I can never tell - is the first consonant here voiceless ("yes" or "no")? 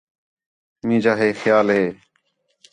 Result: no